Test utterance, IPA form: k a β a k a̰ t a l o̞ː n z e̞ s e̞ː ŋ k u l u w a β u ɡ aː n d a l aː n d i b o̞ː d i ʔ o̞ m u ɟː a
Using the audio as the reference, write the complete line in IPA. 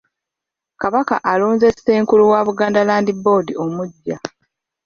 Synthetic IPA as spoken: k a β a k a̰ ʔ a l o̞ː n z e̞ s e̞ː ŋ k u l u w a β u ɡ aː n d a l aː n d i b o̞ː d i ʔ o̞ m u ɟː a